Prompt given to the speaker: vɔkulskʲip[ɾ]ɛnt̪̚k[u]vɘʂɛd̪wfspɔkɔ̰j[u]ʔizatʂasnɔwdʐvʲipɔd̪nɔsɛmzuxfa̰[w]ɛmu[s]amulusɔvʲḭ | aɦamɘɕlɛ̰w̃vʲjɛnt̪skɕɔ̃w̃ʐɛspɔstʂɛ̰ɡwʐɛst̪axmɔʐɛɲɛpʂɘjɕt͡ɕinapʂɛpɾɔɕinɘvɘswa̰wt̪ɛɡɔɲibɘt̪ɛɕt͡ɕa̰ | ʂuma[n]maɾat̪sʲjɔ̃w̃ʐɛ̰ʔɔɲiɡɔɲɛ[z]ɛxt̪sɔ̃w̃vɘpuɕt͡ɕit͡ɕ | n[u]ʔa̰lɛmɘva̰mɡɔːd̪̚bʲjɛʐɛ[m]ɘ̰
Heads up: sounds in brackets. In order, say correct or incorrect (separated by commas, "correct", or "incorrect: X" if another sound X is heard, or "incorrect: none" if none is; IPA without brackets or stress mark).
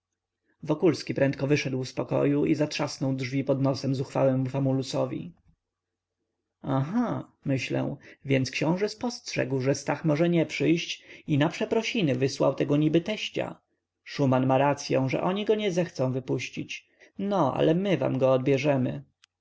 correct, incorrect: ɔ, correct, correct, incorrect: f, correct, correct, incorrect: ɔ, correct